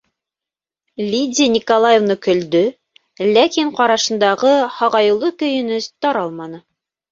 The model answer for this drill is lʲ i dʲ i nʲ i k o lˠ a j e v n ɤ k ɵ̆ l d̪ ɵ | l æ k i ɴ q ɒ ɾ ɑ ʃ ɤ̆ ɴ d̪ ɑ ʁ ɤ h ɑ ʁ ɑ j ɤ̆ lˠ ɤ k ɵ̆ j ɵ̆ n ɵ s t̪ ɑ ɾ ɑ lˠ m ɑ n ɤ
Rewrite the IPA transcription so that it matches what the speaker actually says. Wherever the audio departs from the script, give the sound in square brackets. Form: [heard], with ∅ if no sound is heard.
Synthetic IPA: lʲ i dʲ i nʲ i k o lˠ a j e v n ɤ k ɵ̆ l d̪ ɵ | l æ k i ɴ q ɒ ɾ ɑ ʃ ɤ̆ [n] d̪ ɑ ʁ ɤ h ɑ ʁ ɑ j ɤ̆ lˠ ɤ k ɵ̆ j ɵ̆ n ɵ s t̪ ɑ ɾ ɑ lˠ m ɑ n ɤ